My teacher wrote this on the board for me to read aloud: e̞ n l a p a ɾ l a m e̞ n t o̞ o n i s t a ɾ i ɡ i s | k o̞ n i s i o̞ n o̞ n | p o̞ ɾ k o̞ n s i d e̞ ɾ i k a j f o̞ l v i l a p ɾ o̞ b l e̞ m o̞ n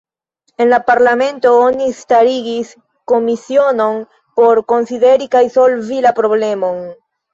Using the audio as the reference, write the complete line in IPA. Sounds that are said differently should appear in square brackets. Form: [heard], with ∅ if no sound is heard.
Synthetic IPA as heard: e̞ n l a p a ɾ l a m e̞ n t o̞ o n i s t a ɾ i ɡ i s | k o̞ [m] i s i o̞ n o̞ n | p o̞ ɾ k o̞ n s i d e̞ ɾ i k a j [s] o̞ l v i l a p ɾ o̞ b l e̞ m o̞ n